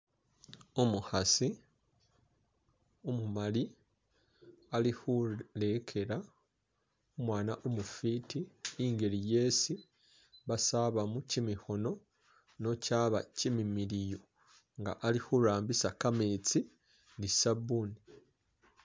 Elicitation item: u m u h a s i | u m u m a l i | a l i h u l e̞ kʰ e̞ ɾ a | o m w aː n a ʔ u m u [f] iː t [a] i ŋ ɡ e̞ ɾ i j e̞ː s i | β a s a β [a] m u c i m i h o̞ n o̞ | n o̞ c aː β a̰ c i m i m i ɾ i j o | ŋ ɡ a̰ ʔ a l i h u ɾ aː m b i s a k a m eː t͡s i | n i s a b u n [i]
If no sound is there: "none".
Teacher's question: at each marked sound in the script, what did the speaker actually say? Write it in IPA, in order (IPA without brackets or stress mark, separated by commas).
f, i, a, i